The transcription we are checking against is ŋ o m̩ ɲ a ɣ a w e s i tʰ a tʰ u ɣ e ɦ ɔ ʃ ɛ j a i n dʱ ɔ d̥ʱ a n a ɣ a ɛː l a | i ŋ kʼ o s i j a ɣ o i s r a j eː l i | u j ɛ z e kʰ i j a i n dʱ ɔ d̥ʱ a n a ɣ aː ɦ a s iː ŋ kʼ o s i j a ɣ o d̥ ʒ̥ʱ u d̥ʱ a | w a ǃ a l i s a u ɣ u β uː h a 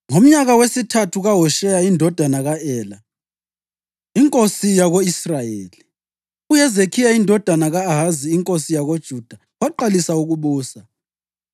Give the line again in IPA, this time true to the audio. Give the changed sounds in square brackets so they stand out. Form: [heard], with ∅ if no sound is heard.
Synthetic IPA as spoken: ŋ o m̩ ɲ a ɣ a w e s i tʰ a tʰ u ɣ [a] ɦ ɔ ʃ ɛ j a i n dʱ ɔ d̥ʱ a n a ɣ a ɛː l a | i ŋ kʼ o s i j a ɣ o i s r a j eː l i | u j ɛ z e kʰ i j a i n dʱ ɔ d̥ʱ a n a ɣ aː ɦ a [z] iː ŋ kʼ o s i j a ɣ o d̥ ʒ̥ʱ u d̥ʱ a | w a ǃ a l i s a u ɣ u β uː [s] a